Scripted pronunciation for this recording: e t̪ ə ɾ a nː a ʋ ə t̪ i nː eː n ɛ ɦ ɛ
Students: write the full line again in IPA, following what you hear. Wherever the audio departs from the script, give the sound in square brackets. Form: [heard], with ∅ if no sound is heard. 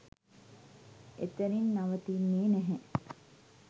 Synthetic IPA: e t̪ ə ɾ [i] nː a ʋ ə t̪ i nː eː n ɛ ɦ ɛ